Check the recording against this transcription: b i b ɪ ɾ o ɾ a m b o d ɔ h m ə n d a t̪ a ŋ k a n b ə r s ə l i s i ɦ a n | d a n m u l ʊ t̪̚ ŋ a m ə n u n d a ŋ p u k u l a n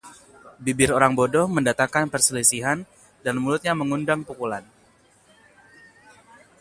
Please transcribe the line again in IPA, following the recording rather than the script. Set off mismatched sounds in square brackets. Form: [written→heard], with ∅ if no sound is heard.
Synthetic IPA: b i b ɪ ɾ o ɾ a [m→ŋ] b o d ɔ h m ə n d a t̪ a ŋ k a n [b→p] ə r s ə l i s i ɦ a n | d a n m u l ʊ t̪̚ [ŋ→ɲ] a m ə [n→ŋ] u n d a ŋ p u k u l a n